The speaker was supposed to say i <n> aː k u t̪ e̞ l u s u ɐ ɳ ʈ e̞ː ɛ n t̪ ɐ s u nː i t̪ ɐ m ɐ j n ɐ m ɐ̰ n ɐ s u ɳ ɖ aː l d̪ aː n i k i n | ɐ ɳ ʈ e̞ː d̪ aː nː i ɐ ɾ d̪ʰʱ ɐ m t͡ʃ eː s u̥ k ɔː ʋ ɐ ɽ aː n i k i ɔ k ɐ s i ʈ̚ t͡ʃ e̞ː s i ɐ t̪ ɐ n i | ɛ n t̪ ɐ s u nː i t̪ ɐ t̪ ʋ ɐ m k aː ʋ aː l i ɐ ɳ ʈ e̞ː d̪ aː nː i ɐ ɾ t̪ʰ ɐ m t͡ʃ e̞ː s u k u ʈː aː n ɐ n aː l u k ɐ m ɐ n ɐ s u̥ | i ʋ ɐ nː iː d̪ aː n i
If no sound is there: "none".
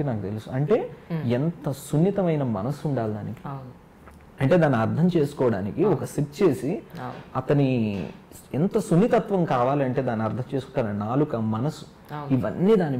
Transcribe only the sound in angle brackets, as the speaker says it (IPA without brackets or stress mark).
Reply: n